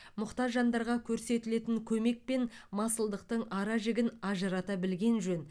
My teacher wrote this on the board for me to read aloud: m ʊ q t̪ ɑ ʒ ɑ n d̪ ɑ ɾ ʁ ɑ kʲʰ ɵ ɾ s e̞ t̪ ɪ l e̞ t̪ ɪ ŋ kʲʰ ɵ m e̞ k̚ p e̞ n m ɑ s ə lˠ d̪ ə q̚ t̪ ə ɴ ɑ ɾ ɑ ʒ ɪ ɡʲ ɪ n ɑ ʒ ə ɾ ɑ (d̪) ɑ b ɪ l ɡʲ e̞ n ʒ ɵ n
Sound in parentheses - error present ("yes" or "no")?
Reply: yes